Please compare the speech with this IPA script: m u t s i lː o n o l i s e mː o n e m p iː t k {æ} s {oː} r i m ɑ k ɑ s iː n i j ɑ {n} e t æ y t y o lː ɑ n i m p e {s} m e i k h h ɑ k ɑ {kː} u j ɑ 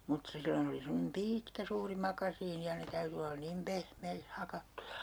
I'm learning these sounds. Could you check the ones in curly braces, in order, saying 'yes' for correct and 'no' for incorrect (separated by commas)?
yes, no, yes, no, no